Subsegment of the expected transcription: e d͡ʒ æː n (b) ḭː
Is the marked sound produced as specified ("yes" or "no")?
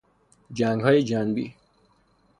yes